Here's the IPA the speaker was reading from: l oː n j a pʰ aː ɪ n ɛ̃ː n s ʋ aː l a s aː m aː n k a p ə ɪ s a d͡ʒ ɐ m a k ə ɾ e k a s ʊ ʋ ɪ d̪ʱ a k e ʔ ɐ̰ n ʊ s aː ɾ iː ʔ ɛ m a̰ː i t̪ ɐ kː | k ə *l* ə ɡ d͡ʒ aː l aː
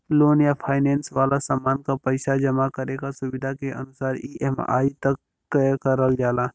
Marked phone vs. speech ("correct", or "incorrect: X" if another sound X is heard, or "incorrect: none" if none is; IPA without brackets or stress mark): incorrect: ɾ